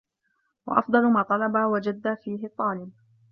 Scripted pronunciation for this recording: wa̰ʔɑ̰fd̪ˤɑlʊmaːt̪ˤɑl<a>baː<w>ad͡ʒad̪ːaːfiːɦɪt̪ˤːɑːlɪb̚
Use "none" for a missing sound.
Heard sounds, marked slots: ɑ, w

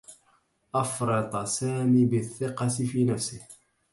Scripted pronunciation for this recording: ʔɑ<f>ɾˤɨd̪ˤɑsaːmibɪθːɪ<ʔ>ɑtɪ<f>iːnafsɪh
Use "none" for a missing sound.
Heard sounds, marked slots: f, q, f

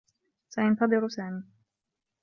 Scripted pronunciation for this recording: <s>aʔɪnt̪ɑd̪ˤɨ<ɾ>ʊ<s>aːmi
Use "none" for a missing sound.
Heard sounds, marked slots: s, ɾ, s

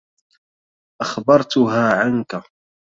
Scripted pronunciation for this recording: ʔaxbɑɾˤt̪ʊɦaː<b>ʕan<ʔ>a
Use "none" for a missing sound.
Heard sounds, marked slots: none, k

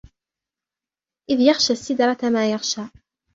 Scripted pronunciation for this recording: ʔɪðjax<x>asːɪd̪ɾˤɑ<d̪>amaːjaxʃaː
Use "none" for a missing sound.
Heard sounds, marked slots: ʃ, t̪

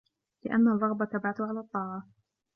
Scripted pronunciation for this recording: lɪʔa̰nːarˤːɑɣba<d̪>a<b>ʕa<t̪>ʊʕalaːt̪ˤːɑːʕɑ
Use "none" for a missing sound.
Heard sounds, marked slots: t̪, b, t̪

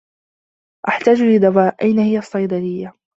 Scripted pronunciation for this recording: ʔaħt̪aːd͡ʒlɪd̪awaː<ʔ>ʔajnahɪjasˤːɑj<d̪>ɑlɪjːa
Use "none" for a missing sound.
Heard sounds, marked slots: ʔ, d̪

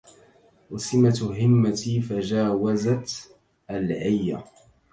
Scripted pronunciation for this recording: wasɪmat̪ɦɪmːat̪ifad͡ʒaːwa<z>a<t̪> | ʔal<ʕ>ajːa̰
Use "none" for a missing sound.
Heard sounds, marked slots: z, t̪, ʕ

